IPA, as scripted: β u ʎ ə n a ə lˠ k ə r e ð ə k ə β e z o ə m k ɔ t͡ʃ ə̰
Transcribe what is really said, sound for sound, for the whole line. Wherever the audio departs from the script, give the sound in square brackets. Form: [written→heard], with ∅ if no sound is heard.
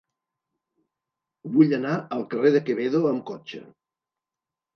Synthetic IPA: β u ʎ ə n a ə lˠ k ə r e ð ə k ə β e [z→ð] o ə m k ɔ t͡ʃ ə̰